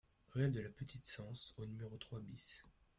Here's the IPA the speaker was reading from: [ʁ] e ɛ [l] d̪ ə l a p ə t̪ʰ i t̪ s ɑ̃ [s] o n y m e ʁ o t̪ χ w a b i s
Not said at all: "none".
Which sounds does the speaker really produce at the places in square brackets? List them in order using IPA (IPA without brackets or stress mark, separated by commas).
ʁ, l, s